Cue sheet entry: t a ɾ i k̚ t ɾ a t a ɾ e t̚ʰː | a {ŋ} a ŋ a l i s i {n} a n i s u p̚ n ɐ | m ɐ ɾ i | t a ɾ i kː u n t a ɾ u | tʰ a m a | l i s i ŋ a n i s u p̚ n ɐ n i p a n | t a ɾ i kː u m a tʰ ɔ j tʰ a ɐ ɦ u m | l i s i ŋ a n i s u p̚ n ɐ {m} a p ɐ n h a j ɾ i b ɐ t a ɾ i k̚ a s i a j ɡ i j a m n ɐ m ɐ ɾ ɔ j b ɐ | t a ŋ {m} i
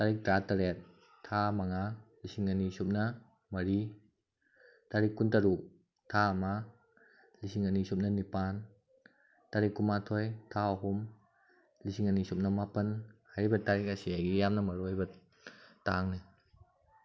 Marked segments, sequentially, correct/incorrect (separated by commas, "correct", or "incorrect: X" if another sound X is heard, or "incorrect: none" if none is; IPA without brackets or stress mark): incorrect: m, incorrect: ŋ, correct, incorrect: n